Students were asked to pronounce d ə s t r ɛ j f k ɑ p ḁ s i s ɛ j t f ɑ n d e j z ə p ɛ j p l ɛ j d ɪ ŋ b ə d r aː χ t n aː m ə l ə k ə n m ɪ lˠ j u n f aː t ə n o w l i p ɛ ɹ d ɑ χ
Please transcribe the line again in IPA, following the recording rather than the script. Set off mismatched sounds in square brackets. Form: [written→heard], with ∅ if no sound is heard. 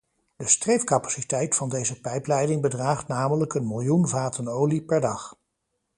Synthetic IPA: d ə s t r [ɛ→e] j f k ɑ p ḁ s i [s→t] ɛ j t f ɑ n d e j z ə p ɛ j p l ɛ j d ɪ ŋ b ə d r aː χ t n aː m ə l ə k ə n m ɪ lˠ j u n [f→v] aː t ə n o w l i p ɛ ɹ d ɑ χ